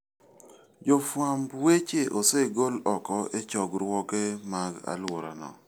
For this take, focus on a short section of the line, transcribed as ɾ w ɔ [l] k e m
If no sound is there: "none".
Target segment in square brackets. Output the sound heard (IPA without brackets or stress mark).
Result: none